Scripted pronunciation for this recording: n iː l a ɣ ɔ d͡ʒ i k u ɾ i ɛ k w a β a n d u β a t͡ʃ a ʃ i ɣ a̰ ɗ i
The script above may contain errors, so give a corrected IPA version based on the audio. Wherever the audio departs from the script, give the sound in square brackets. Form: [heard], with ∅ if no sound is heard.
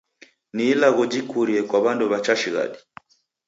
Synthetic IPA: n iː l a ɣ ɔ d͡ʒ i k u ɾ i ɛ k w a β a n d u β a t͡ʃ a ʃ i ɣ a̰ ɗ i